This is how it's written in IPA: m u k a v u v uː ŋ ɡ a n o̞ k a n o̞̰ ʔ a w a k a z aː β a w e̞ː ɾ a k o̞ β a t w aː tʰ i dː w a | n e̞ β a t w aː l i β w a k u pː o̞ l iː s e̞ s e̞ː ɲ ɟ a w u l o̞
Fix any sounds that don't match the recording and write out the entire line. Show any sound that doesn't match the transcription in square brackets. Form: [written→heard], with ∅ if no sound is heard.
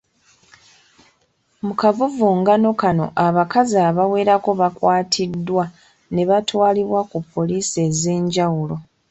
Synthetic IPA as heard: m u k a v u v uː ŋ ɡ a n o̞ k a n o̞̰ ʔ a [w→β] a k a z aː β a w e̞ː ɾ a k o̞ β a [t→k] w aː tʰ i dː w a | n e̞ β a t w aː l i β w a k u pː o̞ l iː s e̞ [s→z] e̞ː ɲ ɟ a w u l o̞